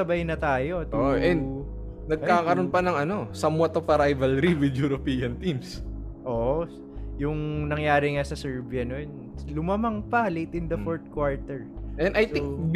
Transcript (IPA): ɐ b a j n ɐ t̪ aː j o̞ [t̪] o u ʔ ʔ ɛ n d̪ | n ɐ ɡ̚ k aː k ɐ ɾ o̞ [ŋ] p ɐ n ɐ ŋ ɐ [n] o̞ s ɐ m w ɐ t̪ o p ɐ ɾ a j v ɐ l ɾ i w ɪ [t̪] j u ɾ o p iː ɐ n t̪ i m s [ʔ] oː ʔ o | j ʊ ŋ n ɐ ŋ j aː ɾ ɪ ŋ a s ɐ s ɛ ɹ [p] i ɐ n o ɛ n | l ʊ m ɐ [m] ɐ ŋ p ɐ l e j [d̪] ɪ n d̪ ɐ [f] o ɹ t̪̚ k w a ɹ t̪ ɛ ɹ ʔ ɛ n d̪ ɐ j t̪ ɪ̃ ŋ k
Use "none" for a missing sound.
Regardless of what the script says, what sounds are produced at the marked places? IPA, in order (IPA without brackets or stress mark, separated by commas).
t̪, n, n, d̪, ʔ, b, m, t̪, f